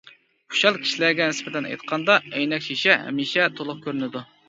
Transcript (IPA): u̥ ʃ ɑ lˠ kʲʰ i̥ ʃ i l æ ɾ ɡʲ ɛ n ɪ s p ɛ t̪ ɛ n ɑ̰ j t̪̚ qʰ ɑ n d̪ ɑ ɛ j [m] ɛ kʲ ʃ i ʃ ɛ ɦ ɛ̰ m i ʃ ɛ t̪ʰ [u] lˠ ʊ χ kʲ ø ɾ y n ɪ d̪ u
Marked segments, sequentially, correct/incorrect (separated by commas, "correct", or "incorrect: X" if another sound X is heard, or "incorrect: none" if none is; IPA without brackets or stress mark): incorrect: n, incorrect: o